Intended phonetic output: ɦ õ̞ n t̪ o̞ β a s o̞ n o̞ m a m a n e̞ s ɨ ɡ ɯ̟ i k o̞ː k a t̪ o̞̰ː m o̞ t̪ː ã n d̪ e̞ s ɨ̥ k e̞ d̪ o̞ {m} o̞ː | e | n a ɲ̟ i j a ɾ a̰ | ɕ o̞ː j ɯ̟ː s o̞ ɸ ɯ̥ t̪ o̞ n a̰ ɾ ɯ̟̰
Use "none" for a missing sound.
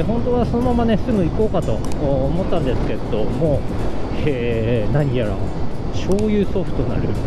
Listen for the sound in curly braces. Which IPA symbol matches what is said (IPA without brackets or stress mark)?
m